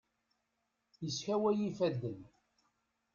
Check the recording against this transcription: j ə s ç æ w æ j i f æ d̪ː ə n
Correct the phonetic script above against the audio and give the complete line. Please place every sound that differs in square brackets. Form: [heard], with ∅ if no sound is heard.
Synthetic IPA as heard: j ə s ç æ w æ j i f æ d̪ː ə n